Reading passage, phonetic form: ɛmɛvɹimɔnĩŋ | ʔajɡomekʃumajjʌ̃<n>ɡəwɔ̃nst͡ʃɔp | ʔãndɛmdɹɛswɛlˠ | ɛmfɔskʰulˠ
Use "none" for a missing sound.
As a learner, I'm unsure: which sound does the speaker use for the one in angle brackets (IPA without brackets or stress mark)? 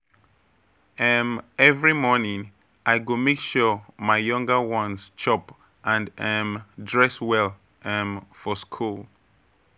ŋ